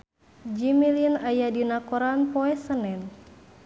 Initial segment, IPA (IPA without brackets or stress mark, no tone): d͡ʒ